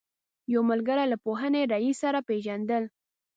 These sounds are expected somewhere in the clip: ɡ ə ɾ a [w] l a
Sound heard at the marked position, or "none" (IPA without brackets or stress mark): none